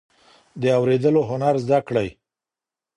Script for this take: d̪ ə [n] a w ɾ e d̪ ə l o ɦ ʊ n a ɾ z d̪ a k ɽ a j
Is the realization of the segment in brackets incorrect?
yes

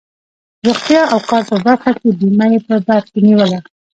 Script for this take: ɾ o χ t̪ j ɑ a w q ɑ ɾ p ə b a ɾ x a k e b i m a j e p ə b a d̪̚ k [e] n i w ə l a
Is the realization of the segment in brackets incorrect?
no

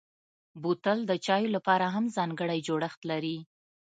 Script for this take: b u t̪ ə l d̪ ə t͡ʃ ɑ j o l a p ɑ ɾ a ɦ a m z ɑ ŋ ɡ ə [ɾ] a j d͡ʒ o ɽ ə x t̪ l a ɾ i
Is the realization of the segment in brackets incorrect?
yes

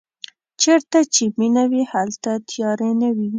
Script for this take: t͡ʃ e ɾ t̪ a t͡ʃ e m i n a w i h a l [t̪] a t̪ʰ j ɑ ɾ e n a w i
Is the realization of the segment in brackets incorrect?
no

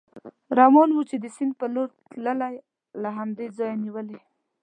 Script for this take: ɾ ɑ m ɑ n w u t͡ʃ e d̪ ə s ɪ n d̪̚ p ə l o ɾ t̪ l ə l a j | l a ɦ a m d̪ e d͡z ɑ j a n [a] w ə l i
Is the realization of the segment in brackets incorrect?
yes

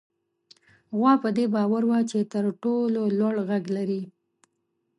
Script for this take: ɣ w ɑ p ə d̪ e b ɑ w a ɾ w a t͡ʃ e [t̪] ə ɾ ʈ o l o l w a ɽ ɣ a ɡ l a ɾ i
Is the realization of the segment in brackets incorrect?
no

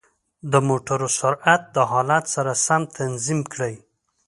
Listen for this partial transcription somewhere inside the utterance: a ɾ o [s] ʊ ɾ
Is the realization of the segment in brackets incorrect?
no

